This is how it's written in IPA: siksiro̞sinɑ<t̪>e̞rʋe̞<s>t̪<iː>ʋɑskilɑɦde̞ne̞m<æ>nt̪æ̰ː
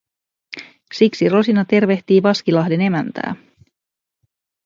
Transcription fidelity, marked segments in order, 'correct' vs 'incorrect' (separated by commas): correct, incorrect, correct, correct